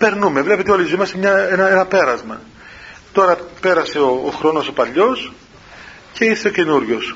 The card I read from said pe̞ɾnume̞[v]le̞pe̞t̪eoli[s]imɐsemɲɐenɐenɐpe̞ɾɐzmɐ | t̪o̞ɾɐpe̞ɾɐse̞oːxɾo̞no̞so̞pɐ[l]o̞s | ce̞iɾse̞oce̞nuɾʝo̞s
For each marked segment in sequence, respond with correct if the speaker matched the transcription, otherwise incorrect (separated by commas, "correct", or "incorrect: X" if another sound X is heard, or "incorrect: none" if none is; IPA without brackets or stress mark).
correct, incorrect: z, incorrect: ʎ